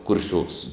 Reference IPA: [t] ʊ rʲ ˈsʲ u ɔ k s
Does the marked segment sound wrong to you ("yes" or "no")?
yes